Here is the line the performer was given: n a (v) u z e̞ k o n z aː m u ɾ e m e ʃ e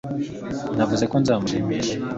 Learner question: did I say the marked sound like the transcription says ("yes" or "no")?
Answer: yes